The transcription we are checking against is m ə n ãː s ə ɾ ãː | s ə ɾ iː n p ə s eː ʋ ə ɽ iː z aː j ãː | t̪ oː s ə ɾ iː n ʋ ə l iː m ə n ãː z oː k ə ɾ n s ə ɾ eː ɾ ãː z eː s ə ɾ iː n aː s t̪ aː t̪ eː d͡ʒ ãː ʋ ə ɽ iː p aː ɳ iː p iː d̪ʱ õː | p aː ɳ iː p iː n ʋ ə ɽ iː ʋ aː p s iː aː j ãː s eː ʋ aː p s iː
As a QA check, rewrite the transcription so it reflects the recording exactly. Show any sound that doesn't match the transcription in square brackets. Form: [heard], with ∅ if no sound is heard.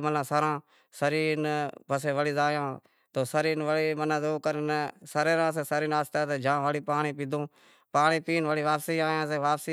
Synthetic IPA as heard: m ə n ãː s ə ɾ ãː | s ə ɾ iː n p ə s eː ʋ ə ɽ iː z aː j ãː | t̪ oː s ə ɾ iː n ʋ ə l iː m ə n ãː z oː k ə ɾ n s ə ɾ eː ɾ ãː [s] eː s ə ɾ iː n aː s t̪ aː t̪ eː d͡ʒ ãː ʋ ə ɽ iː p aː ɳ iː p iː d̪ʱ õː | p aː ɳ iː p iː n ʋ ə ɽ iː ʋ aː p s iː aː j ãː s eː ʋ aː p s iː